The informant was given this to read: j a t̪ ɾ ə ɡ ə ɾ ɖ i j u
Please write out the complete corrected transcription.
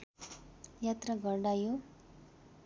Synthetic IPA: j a t̪ ɾ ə ɡ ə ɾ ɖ a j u